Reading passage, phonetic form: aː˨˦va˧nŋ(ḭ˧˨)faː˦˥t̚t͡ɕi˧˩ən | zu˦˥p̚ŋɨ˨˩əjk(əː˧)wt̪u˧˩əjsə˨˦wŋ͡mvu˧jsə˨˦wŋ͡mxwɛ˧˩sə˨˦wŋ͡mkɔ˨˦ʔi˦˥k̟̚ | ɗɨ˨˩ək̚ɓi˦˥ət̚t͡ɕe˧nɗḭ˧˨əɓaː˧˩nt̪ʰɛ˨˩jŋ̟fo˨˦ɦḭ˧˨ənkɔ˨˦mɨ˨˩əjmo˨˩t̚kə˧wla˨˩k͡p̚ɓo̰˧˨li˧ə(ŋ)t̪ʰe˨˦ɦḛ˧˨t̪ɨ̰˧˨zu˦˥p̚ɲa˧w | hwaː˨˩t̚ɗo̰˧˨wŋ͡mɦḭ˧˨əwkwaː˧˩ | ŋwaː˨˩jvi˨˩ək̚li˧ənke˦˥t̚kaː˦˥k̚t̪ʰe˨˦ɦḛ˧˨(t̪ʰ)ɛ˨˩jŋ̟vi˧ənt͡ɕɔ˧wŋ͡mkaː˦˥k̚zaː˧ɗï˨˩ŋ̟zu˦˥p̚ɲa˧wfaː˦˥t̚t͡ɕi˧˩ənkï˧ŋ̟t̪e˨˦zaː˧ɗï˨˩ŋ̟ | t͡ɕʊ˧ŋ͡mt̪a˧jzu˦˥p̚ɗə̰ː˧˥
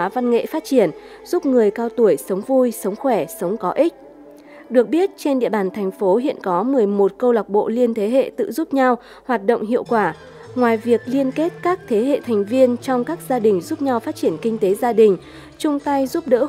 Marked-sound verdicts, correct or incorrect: incorrect: ḛ˧˨, incorrect: aː˧, incorrect: n, correct

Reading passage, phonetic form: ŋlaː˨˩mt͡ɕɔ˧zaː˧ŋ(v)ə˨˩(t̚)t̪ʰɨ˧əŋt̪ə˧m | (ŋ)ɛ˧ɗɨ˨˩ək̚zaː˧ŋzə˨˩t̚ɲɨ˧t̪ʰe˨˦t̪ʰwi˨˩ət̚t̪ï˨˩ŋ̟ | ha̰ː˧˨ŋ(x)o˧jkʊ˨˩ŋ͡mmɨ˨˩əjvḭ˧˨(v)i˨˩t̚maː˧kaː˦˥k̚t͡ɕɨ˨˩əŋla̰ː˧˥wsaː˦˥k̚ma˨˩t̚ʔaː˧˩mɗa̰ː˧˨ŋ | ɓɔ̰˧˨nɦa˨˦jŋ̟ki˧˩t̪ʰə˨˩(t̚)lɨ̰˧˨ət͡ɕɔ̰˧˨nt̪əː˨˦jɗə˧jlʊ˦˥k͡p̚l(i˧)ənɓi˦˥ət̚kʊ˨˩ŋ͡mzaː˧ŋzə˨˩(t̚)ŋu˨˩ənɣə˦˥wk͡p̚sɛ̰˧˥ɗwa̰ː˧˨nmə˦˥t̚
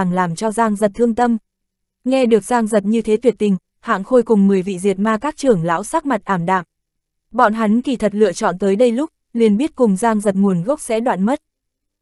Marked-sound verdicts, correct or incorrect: incorrect: z, correct, correct, correct, incorrect: z, correct, incorrect: i˨˩, correct

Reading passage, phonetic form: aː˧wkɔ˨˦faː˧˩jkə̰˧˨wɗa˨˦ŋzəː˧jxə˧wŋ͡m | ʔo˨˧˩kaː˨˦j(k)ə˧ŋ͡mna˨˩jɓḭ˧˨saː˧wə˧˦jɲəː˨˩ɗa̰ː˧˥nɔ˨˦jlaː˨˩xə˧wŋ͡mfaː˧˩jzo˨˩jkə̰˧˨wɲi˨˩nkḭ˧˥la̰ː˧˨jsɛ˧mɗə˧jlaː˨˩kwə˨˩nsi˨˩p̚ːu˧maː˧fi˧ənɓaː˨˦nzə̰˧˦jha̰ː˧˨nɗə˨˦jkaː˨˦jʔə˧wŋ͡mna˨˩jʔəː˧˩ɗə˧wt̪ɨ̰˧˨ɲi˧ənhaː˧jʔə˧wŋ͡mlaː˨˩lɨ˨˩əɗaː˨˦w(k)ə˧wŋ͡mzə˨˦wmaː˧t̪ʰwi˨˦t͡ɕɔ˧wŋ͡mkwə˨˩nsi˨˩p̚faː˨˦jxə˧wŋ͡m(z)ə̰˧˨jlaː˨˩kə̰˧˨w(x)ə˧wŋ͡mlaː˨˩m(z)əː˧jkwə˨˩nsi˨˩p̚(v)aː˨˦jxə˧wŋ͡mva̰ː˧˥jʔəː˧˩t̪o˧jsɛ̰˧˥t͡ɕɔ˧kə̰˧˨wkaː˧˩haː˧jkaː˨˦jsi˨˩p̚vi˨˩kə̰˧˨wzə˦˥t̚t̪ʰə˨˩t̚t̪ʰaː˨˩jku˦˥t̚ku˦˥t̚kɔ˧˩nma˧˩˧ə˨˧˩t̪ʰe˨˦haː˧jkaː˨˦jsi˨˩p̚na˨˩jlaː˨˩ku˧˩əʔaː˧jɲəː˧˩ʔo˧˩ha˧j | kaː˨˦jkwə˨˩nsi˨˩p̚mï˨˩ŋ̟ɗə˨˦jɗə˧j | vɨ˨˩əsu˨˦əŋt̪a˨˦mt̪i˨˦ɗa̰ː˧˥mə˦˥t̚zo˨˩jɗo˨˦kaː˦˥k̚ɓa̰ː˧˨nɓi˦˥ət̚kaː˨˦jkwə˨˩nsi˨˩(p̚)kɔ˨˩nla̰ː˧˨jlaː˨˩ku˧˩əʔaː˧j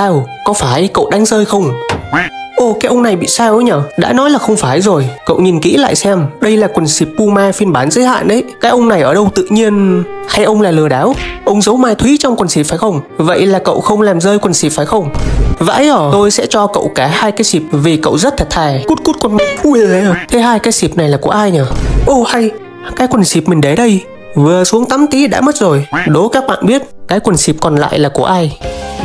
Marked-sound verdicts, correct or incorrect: incorrect: ʔ, incorrect: ʔ, incorrect: v, correct, correct, incorrect: f, correct

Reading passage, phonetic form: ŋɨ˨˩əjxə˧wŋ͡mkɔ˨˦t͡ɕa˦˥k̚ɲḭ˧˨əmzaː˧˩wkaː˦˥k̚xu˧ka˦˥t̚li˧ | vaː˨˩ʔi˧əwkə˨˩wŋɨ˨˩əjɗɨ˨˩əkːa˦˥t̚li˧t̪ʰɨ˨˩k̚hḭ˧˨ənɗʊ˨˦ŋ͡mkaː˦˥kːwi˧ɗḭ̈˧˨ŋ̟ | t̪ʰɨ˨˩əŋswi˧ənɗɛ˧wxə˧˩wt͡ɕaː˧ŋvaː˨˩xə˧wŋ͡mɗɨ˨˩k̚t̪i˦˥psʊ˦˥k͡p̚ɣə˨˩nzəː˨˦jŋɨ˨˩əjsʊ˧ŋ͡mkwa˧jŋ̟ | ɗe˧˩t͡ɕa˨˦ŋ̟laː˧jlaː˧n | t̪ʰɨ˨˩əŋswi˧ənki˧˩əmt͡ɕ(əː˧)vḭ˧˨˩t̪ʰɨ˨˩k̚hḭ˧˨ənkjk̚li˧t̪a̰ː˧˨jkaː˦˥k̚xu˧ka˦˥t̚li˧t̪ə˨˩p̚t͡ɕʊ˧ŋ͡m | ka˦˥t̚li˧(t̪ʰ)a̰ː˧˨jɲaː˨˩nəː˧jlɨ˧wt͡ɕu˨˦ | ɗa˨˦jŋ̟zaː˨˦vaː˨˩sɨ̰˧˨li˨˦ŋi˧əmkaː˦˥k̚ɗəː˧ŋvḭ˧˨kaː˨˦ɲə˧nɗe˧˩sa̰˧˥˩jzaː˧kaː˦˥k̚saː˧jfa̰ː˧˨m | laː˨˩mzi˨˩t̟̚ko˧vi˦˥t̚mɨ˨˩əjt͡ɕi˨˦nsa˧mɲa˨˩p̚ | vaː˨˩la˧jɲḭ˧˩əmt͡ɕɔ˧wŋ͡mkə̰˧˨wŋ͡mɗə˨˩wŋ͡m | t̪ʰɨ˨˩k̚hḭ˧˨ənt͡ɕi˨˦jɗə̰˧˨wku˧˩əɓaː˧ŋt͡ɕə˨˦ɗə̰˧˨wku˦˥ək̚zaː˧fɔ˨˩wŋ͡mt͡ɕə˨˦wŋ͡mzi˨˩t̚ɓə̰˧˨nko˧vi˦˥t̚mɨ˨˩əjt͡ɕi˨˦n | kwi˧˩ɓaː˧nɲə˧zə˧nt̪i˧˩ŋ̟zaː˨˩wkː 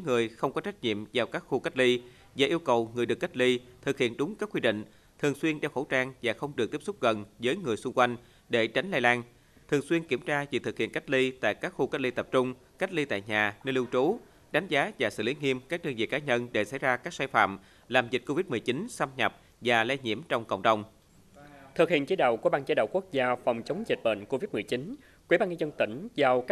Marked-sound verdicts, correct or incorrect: incorrect: aː˧, incorrect: t̪

